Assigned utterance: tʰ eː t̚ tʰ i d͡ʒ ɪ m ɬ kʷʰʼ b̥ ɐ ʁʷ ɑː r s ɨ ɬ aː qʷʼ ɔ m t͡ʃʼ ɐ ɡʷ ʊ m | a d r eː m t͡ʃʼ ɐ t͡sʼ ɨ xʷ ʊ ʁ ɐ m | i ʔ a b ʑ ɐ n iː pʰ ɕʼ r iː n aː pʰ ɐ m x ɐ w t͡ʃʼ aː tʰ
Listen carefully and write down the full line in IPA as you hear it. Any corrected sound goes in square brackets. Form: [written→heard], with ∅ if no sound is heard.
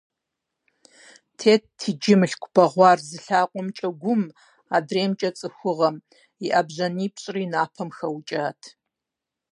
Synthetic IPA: tʰ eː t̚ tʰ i d͡ʒ ɪ m ɬ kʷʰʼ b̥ ɐ ʁʷ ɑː r [s→z] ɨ ɬ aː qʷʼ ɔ m t͡ʃʼ ɐ ɡʷ ʊ m | a d r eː m t͡ʃʼ ɐ t͡sʼ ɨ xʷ ʊ ʁ ɐ m | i ʔ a b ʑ ɐ n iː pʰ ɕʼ r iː n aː pʰ ɐ m x ɐ w t͡ʃʼ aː tʰ

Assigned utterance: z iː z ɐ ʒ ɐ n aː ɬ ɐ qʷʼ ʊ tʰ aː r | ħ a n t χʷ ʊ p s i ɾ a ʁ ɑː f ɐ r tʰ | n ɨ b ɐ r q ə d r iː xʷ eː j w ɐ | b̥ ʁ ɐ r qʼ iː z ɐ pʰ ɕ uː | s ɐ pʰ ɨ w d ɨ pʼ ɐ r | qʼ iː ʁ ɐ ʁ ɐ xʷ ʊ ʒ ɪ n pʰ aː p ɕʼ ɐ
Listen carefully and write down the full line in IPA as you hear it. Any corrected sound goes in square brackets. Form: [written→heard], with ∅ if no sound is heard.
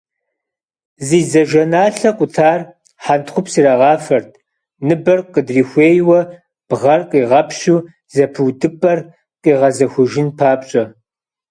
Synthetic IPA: z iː z ɐ ʒ ɐ n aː ɬ ɐ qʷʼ ʊ tʰ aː r | ħ a n t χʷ ʊ p s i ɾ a ʁ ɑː f ɐ r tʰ | n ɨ b ɐ r q ə d r iː xʷ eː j w ɐ | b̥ ʁ ɐ r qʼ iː [z→ʁ] ɐ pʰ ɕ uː | [s→z] ɐ pʰ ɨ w d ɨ pʼ ɐ r | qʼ iː ʁ ɐ [ʁ→z] ɐ xʷ ʊ ʒ ɪ n pʰ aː p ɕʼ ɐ

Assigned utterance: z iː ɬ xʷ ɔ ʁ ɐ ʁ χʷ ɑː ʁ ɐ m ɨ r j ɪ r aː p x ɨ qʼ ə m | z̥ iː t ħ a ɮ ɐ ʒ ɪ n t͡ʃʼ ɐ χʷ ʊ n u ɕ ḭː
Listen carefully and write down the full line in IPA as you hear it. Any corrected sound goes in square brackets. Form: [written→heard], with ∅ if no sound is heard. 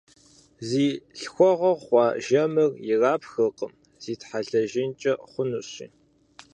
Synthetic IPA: z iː ɬ xʷ ɔ ʁ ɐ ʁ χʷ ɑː [ʁ→ʒ] ɐ m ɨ r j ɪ r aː p x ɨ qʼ ə m | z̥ iː t ħ a ɮ ɐ ʒ ɪ n t͡ʃʼ ɐ χʷ ʊ n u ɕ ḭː

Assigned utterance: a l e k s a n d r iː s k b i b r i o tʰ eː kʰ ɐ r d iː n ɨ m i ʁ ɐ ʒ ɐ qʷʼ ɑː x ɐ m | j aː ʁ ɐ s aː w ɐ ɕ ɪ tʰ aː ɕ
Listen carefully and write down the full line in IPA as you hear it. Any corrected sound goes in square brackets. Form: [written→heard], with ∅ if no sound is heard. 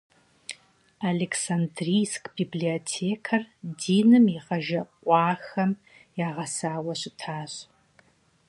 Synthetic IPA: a l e k s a n d r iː s k b i b [r→l] i o tʰ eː kʰ ɐ r d iː n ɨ m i ʁ ɐ ʒ ɐ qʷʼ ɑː x ɐ m | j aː ʁ ɐ s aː w ɐ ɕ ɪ tʰ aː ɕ

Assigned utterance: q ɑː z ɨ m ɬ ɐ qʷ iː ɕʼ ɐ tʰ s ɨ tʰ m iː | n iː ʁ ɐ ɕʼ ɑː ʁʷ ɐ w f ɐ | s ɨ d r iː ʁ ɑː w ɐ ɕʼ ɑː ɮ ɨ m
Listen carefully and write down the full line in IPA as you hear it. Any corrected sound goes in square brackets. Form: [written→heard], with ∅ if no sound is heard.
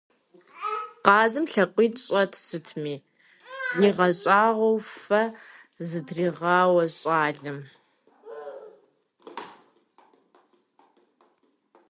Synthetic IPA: q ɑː z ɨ m ɬ ɐ qʷ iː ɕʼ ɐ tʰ s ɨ tʰ m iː | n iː ʁ ɐ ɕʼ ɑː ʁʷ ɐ w f ɐ | [s→z] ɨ d r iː ʁ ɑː w ɐ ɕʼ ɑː ɮ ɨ m

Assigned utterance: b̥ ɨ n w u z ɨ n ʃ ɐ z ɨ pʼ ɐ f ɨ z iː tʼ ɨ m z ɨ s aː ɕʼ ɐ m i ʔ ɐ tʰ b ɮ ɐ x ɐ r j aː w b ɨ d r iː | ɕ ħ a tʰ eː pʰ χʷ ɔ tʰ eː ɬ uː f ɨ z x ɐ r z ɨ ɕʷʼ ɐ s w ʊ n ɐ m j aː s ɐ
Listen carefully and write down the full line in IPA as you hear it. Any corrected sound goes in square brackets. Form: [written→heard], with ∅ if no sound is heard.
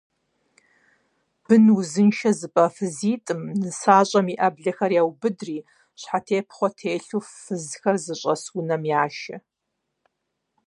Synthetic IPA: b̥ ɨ n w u z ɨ n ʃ ɐ z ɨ pʼ ɐ f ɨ z iː tʼ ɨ m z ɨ s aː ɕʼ ɐ m i ʔ ɐ [tʰ→∅] b ɮ ɐ x ɐ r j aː w b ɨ d r iː | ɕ ħ a tʰ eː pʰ χʷ ɔ tʰ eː ɬ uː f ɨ z x ɐ r z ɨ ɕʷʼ ɐ s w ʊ n ɐ m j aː [s→ʃ] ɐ

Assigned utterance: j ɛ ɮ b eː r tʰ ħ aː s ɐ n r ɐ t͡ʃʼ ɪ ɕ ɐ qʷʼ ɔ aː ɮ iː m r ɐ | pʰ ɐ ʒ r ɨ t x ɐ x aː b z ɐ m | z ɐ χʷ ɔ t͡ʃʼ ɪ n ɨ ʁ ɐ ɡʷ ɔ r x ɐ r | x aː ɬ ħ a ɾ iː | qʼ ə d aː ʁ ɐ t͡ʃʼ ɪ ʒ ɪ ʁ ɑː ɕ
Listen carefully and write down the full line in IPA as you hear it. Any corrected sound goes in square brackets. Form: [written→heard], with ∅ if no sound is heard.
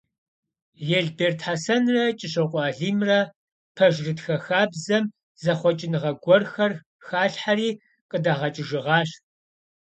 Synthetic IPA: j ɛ ɮ b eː r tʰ ħ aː s ɐ n r ɐ t͡ʃʼ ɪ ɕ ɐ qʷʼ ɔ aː ɮ iː m r ɐ | pʰ ɐ ʒ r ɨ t x ɐ x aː b z ɐ m | z ɐ χʷ ɔ t͡ʃʼ ɪ n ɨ ʁ ɐ ɡʷ ɔ r x ɐ r | x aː ɬ ħ a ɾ iː | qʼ ə d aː ʁ ɐ t͡ʃʼ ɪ ʒ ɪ ʁ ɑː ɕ

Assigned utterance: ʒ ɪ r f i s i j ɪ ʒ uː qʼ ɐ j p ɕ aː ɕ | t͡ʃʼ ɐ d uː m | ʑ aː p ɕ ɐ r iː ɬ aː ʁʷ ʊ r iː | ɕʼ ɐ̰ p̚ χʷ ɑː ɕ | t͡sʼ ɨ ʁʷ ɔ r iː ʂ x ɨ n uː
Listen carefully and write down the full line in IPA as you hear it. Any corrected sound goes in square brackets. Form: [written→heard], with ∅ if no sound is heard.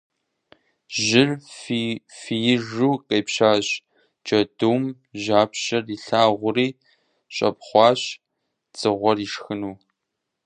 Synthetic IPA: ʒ ɪ r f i [s→f] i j ɪ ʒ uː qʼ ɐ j p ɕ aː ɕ | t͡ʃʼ ɐ d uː m | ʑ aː p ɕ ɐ r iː ɬ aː ʁʷ ʊ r iː | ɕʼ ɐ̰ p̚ χʷ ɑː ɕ | t͡sʼ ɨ ʁʷ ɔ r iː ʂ x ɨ n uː

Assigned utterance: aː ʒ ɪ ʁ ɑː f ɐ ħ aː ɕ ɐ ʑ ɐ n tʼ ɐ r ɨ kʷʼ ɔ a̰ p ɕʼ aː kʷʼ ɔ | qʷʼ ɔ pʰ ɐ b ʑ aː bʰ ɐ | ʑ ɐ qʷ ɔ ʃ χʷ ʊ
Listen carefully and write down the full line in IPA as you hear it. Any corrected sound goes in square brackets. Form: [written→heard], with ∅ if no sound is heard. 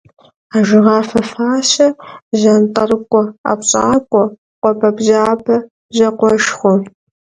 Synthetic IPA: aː ʒ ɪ ʁ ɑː f ɐ [ħ→f] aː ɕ ɐ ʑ ɐ n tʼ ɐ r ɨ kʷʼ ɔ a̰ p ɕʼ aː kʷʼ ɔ | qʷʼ ɔ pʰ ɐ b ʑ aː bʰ ɐ | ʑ ɐ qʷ ɔ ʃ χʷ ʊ

